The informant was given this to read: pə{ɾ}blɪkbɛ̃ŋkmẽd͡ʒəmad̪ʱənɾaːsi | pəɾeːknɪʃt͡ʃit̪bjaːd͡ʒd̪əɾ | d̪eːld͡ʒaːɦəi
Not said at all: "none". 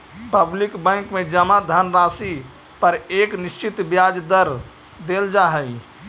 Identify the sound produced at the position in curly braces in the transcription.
none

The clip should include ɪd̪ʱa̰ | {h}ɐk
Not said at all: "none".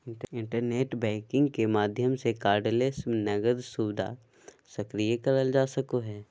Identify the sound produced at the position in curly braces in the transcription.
s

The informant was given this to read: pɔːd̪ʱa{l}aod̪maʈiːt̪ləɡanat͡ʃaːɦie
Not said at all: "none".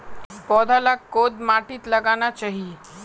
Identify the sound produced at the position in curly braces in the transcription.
l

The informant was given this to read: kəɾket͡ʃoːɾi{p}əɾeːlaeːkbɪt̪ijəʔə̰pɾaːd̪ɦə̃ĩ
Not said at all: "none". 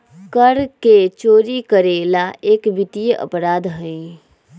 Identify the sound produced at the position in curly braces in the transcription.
k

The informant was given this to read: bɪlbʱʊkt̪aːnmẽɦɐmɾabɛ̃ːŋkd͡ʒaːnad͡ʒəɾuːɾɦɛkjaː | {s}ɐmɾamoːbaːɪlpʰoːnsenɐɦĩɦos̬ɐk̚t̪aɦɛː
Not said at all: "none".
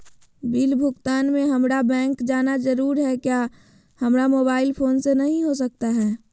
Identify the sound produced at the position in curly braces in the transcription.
h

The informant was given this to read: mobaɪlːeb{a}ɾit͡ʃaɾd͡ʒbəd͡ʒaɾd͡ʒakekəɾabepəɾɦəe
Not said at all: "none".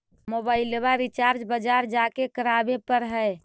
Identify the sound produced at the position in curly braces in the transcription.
a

